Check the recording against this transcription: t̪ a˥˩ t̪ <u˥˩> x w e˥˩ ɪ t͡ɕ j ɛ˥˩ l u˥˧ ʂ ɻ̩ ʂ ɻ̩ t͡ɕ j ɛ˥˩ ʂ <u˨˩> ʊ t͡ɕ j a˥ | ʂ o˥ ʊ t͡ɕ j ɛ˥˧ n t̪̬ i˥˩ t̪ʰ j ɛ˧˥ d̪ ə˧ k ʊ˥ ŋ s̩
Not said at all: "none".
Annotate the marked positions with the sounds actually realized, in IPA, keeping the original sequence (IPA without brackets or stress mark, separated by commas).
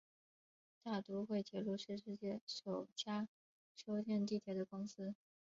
u˧˥, o˨˩